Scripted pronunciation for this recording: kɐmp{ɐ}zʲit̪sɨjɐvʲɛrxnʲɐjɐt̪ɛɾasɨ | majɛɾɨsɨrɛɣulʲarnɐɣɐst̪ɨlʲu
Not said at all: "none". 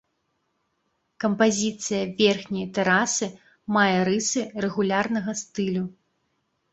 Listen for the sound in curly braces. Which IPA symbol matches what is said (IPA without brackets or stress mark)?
a